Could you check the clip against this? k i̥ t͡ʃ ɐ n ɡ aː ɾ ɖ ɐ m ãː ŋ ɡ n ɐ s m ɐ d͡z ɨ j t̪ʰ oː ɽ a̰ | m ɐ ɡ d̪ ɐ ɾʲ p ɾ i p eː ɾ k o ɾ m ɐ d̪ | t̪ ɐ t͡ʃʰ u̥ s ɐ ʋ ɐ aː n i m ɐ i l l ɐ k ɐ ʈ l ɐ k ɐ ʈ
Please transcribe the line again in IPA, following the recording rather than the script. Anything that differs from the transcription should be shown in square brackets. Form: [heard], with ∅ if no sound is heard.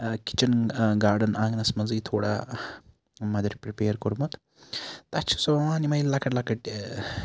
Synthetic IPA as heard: k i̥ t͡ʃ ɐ n ɡ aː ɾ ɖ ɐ [n] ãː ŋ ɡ n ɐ s m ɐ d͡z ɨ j t̪ʰ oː ɽ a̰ | m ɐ [∅] d̪ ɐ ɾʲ p ɾ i p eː ɾ k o ɾ m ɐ [t̪] | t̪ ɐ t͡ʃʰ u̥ s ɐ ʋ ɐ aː n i m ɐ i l l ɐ k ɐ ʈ l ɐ k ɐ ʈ